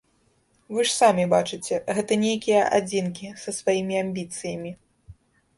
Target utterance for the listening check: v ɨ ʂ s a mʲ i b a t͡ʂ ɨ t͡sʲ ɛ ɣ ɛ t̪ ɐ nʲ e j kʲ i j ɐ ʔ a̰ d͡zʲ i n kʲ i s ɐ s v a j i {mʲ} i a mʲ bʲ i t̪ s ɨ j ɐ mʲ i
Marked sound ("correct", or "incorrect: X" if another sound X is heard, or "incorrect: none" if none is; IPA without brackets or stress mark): correct